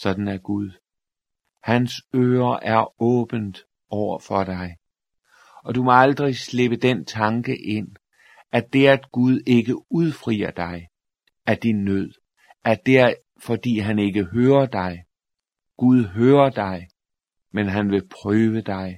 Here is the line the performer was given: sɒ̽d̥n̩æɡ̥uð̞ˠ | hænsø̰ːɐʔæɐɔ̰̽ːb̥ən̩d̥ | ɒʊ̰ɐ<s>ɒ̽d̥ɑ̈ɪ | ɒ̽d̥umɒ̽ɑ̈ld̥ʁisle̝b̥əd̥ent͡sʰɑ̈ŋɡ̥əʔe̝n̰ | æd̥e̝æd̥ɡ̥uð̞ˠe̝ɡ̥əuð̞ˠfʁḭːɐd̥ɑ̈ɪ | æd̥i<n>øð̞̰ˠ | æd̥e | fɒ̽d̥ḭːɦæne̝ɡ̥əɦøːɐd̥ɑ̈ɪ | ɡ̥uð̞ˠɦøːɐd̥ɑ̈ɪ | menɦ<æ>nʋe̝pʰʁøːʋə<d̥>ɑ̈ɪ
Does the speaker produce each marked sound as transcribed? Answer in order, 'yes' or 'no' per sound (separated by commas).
no, no, yes, yes